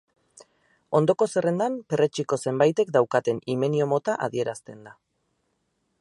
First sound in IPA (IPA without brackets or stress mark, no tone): o̞